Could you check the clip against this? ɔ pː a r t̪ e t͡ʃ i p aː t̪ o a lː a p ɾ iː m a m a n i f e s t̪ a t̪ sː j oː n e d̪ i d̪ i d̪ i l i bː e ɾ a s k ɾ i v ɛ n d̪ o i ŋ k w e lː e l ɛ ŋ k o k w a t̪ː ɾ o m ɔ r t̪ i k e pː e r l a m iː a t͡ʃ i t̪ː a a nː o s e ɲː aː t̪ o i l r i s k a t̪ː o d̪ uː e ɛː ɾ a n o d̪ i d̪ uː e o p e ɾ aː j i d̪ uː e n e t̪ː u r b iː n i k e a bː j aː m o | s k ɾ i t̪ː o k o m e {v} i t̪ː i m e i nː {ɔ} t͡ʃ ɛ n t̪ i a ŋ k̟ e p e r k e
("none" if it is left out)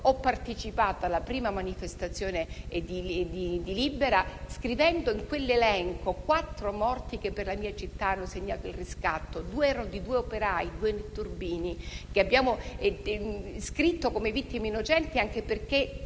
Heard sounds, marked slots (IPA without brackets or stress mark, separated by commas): v, o